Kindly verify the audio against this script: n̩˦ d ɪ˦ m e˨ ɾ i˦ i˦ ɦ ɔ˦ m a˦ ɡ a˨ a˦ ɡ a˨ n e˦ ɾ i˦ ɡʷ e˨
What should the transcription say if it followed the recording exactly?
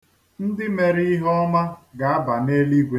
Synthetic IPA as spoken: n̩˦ d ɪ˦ m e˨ ɾ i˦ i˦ ɦ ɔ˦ m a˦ ɡ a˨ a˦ b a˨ n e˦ l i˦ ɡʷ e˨